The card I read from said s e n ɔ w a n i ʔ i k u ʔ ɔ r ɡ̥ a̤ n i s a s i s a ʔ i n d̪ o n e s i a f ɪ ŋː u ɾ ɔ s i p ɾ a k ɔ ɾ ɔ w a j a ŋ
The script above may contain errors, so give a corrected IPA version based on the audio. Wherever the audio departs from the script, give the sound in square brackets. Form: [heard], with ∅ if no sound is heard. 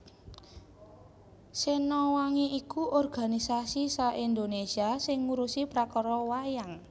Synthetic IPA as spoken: s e n ɔ w a [ŋ] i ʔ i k u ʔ ɔ r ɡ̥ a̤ n i s a s i s a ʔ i n d̪ o n e s i a [s] ɪ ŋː u ɾ [u] s i p ɾ a k ɔ ɾ ɔ w a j a ŋ

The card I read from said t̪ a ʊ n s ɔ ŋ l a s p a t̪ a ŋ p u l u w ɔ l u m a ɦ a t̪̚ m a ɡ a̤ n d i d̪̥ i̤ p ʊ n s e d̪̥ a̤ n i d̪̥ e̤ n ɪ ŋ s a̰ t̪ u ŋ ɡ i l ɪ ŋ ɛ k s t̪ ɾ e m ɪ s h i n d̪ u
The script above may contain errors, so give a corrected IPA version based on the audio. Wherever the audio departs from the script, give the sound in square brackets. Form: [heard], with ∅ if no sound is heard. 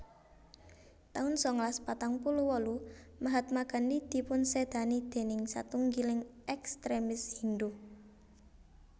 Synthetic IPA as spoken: t̪ a ʊ n s ɔ ŋ l a s p a t̪ a ŋ p u l u w ɔ l u m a ɦ a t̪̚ m a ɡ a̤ n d i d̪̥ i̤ p ʊ n s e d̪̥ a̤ n i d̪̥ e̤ n ɪ ŋ s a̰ t̪ u ŋ ɡ i l ɪ ŋ ɛ k s t̪ ɾ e m ɪ s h i n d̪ u

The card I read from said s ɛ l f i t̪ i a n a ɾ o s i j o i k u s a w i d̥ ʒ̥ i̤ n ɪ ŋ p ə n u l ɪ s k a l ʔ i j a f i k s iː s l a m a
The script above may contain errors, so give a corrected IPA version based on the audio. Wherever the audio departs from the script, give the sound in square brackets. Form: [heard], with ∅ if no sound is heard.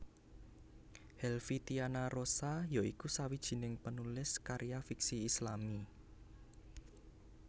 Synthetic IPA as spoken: [h] ɛ l f i t̪ i a n a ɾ o s [a] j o i k u s a w i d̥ ʒ̥ i̤ n ɪ ŋ p ə n u l ɪ s k a [ɾ] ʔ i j a f i k s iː s l a m [i]

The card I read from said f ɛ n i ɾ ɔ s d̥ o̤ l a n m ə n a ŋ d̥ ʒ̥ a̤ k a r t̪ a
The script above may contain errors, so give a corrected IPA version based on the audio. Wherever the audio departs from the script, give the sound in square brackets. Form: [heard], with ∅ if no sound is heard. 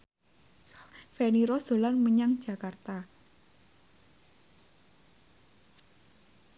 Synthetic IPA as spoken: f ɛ n i ɾ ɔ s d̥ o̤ l a n m ə [ɲ] a ŋ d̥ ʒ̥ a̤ k a r t̪ a

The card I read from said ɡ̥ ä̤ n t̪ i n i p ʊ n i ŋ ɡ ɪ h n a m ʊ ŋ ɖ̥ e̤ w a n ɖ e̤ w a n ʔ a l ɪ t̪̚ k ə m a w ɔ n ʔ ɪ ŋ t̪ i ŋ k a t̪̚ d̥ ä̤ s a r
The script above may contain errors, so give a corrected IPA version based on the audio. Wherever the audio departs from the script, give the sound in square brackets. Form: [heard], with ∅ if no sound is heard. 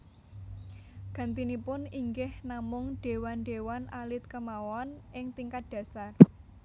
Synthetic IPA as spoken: ɡ̥ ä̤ n t̪ i n i p ʊ n i ŋ ɡ ɪ h n a m ʊ ŋ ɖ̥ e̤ w a n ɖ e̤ w a n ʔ a l ɪ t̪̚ k ə m a w ɔ n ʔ ɪ ŋ t̪ i ŋ k a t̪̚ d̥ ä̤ s a r

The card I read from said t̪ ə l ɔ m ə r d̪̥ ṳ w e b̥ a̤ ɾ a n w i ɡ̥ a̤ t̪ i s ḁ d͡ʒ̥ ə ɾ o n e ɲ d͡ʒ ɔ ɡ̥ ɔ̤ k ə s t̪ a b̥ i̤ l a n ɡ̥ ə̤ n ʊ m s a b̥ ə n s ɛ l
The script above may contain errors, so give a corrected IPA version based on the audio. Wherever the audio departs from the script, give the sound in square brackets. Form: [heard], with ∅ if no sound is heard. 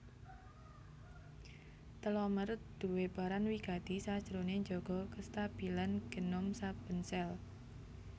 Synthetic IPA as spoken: t̪ ə l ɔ m ə r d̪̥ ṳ w e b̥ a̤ ɾ a n w i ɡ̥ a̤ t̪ i s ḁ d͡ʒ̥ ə ɾ o n e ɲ d͡ʒ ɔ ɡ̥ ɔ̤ k ə s t̪ a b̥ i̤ l a n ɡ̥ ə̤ n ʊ m s a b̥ ə n s ɛ l

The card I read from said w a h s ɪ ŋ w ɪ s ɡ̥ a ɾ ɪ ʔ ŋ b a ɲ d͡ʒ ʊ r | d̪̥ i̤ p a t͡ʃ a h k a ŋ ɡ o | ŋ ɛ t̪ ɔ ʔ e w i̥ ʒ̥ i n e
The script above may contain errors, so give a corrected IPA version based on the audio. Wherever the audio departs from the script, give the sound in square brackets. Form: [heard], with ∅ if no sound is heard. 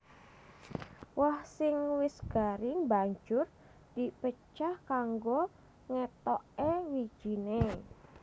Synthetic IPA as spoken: w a h s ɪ ŋ w ɪ s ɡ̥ a ɾ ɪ [∅] ŋ b a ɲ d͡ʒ ʊ r | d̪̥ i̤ p [ə] t͡ʃ a h k a ŋ ɡ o | ŋ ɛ t̪ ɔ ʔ e w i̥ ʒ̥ i n e

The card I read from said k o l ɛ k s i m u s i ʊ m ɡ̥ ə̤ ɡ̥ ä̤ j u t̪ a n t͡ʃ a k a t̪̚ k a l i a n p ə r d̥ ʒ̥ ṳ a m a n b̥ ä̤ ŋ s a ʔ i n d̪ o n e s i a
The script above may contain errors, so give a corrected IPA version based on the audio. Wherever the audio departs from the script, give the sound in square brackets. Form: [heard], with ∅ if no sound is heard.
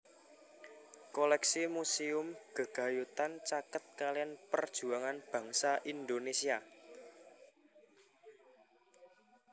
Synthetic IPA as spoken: k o l ɛ k s i m u s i ʊ m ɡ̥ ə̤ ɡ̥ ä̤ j u t̪ a n t͡ʃ a k [ə] t̪̚ k a l i a n p ə r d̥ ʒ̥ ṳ a [ŋ] a n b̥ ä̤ ŋ s a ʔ i n d̪ o n e s i a

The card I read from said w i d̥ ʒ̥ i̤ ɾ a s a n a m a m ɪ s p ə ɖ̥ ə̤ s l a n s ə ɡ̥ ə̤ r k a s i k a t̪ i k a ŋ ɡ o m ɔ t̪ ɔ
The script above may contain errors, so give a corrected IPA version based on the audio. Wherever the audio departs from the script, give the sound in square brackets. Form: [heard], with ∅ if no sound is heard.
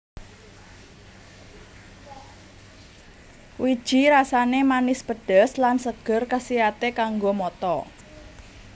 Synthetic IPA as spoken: w i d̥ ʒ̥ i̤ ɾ a s a n [e] m a [n] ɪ s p ə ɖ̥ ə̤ s l a n s ə ɡ̥ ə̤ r k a s i [∅] a t̪ [e] k a ŋ ɡ o m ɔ t̪ ɔ

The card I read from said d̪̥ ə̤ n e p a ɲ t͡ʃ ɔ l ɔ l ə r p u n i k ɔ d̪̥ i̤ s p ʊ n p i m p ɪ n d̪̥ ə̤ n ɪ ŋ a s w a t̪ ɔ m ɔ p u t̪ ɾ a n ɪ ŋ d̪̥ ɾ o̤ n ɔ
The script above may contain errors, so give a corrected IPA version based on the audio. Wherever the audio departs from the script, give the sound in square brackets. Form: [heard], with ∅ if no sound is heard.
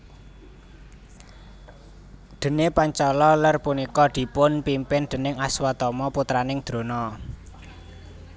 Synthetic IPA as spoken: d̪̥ ə̤ n e p a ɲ t͡ʃ ɔ l ɔ l ə r p u n i k ɔ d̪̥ i̤ [∅] p ʊ n p i m p ɪ n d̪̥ ə̤ n ɪ ŋ a s w a t̪ ɔ m ɔ p u t̪ ɾ a n ɪ ŋ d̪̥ ɾ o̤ n ɔ

